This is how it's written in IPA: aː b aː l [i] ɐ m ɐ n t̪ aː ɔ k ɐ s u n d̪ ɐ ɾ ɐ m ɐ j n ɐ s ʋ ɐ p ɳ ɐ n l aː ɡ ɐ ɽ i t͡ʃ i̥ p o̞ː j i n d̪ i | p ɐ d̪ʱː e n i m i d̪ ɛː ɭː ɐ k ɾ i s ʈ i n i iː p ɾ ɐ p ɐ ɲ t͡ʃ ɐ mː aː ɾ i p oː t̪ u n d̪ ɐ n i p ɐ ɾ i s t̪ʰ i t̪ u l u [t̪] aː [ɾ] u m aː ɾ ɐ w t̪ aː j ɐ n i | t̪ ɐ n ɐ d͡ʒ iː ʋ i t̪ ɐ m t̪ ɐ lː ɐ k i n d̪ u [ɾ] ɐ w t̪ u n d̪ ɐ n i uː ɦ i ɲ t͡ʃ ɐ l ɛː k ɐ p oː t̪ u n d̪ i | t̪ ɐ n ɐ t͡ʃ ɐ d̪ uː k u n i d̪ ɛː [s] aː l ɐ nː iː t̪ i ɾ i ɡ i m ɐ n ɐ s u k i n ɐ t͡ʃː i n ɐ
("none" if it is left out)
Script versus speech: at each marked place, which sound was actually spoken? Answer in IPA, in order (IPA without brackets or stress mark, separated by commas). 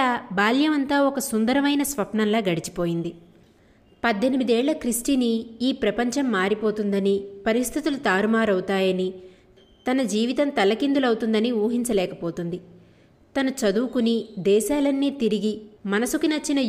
j, t̪, ɾ, l, ʃ